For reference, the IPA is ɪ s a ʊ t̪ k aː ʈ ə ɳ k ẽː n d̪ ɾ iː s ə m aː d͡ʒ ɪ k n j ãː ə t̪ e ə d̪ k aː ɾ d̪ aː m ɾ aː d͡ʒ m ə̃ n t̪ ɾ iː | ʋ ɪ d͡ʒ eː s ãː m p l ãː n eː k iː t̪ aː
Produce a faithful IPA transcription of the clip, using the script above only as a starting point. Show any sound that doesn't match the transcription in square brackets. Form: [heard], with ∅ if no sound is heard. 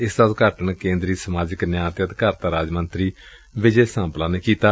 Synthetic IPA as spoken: ɪ s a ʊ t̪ k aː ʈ ə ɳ k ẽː n d̪ ɾ iː s ə m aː d͡ʒ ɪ k n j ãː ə t̪ e ə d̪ k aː ɾ [t̪] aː [∅] ɾ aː d͡ʒ m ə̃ n t̪ ɾ iː | ʋ ɪ d͡ʒ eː s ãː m p l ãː n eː k iː t̪ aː